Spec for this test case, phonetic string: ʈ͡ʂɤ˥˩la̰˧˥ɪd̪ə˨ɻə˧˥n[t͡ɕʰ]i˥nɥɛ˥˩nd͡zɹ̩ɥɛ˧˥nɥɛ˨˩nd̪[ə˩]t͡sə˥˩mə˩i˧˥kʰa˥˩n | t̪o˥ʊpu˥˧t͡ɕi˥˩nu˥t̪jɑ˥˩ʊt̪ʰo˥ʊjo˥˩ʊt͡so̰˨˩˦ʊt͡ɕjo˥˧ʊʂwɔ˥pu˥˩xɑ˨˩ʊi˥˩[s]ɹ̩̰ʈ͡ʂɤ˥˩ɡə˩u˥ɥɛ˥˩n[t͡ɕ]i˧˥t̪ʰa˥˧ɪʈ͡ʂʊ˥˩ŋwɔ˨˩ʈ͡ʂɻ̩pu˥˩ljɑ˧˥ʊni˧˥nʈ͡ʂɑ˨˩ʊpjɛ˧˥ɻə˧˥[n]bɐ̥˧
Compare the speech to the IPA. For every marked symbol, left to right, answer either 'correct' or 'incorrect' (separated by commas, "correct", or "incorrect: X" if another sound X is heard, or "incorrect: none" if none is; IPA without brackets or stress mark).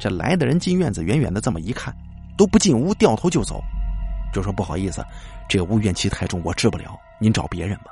incorrect: t͡ɕ, incorrect: ə˦, correct, incorrect: t͡ɕʰ, correct